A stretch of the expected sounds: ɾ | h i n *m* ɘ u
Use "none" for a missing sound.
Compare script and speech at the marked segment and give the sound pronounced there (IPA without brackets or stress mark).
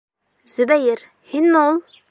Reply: m